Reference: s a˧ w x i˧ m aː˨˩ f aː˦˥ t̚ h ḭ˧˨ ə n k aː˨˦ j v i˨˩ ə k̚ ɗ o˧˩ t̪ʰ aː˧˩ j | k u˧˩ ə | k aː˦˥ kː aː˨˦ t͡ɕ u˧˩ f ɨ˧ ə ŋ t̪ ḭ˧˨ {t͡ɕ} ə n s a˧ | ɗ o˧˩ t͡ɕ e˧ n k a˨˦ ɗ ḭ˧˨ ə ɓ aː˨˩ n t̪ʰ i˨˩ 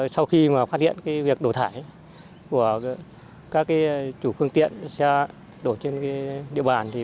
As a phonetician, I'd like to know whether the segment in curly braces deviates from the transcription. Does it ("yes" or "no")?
yes